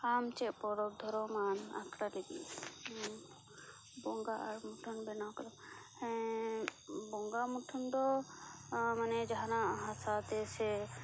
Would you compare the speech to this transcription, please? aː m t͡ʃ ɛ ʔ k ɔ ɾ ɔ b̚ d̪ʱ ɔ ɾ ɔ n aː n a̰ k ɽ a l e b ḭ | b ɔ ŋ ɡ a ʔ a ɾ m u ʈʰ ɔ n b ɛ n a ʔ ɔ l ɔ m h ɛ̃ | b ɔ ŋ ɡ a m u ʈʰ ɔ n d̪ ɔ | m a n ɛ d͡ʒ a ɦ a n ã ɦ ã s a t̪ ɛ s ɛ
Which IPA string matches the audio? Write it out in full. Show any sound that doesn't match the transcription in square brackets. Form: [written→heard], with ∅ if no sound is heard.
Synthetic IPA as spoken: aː m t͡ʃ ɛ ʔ [k→p] ɔ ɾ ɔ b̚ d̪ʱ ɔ ɾ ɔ [n→m] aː n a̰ k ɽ a l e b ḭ | b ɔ ŋ ɡ a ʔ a ɾ m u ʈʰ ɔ n b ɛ n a [ʔ→k] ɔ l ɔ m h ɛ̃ | b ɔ ŋ ɡ a m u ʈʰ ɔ n d̪ ɔ | m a n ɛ d͡ʒ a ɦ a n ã ɦ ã s a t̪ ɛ s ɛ